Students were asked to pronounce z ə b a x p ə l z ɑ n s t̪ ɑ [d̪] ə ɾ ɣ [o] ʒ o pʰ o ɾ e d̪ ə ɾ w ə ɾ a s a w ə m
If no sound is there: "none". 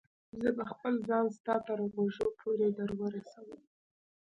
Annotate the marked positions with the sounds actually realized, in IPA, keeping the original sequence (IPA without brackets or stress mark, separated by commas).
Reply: t̪, o